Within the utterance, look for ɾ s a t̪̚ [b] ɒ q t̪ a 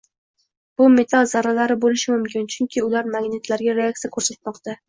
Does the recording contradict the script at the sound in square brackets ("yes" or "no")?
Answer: yes